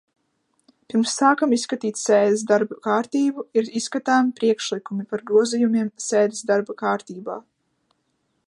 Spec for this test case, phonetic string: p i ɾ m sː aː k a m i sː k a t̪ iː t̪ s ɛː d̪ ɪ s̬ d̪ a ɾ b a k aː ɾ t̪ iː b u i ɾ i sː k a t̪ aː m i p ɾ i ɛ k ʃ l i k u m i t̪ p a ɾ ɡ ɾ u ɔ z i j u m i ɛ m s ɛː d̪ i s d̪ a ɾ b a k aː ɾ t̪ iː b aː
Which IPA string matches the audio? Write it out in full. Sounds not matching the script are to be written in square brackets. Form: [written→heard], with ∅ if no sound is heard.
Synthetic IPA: p i ɾ m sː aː k a m i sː k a t̪ iː t̪ s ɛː d̪ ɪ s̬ d̪ a ɾ b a k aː ɾ t̪ iː b u i ɾ i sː k a t̪ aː m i p ɾ i ɛ k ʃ l i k u m i [t̪→∅] p a ɾ ɡ ɾ u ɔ z i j u m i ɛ m s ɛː d̪ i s d̪ a ɾ b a k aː ɾ t̪ iː b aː